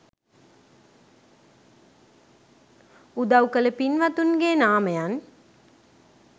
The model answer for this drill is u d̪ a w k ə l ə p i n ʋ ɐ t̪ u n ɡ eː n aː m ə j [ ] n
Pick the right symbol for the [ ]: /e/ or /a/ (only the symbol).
a